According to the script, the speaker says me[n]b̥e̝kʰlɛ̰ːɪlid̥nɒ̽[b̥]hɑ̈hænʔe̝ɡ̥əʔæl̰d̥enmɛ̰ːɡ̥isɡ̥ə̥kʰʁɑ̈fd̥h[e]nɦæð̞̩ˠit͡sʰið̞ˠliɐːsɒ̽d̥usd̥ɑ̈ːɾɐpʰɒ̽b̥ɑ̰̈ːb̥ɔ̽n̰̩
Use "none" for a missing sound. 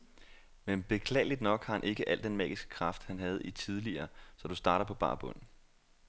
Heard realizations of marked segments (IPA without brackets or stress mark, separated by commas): n, ɡ̥, æ